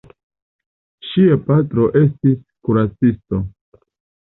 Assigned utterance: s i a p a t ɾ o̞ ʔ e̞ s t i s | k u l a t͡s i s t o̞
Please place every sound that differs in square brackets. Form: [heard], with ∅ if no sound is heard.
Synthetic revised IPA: [ʃ] i a p a t ɾ o̞ ʔ e̞ s t i s | k u [ɾ] a t͡s i s t o̞